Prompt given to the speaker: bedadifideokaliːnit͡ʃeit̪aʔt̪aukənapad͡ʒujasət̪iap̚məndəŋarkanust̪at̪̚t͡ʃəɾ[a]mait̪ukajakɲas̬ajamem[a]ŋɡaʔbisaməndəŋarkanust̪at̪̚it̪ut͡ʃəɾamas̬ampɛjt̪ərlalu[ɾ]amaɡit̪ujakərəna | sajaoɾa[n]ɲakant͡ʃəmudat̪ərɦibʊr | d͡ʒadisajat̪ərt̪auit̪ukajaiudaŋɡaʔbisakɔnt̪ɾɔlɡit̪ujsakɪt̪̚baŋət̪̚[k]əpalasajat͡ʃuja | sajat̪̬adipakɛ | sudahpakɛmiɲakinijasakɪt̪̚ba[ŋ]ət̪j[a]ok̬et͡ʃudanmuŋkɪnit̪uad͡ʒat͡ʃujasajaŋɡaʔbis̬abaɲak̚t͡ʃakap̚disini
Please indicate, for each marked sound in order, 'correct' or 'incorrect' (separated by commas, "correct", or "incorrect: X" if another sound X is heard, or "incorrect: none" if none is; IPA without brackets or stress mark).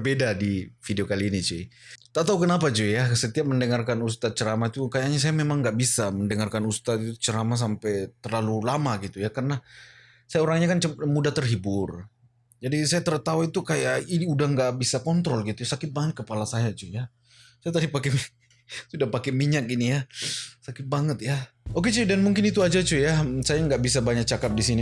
correct, correct, incorrect: l, incorrect: ŋ, correct, correct, correct